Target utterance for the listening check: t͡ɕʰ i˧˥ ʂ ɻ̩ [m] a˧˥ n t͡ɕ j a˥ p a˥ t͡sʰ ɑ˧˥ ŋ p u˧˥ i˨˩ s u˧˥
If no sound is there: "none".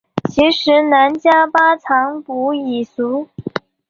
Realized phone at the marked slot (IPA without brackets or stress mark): n